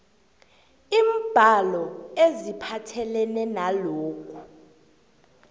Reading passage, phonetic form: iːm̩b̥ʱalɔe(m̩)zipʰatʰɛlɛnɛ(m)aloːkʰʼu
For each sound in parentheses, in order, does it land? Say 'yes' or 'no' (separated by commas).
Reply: no, no